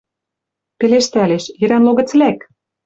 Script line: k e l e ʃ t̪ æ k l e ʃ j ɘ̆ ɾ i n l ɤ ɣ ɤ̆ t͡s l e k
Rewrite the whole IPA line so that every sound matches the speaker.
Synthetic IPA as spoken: p e l e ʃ t̪ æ l e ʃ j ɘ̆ ɾ æ n l o ɣ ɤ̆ t͡s l æ k